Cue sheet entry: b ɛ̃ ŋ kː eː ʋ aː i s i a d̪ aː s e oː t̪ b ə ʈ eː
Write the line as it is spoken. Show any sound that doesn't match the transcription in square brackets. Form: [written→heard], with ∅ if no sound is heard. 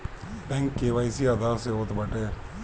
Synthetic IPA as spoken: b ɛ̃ ŋ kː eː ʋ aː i s i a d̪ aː s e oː t̪ b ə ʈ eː